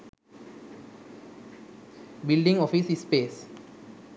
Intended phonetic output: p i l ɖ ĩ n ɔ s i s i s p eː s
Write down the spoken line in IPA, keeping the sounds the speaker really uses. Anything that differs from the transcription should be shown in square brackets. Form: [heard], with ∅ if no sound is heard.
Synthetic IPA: [b] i l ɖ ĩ [ŋ] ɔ [f] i s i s p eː s